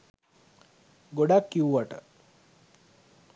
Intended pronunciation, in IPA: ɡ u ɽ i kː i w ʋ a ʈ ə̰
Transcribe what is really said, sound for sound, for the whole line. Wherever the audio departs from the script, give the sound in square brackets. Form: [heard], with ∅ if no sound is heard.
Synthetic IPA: ɡ [o] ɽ [a] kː i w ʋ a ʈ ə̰